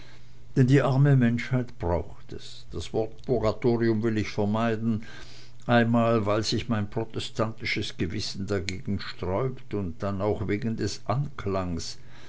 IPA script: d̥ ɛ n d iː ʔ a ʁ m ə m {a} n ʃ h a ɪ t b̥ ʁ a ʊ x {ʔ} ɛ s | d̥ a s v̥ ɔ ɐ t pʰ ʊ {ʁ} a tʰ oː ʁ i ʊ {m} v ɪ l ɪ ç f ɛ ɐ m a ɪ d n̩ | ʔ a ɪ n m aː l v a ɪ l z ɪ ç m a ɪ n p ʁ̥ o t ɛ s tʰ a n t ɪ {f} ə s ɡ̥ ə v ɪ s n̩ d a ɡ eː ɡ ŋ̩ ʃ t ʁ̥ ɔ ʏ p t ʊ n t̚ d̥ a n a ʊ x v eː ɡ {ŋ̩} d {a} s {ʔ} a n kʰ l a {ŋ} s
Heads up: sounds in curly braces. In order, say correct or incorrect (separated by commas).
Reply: incorrect, incorrect, correct, correct, incorrect, incorrect, incorrect, correct, correct